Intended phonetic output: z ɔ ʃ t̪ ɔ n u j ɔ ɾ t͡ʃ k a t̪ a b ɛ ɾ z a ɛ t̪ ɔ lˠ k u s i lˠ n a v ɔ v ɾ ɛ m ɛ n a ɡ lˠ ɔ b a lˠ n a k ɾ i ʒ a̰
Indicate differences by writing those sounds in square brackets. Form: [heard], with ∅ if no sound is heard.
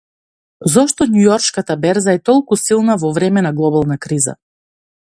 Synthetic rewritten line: z ɔ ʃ t̪ ɔ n u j ɔ ɾ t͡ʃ k a t̪ a b ɛ ɾ z a ɛ t̪ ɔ lˠ k u s i lˠ n a v ɔ v ɾ ɛ m ɛ n a ɡ lˠ ɔ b a lˠ n a k ɾ i [z] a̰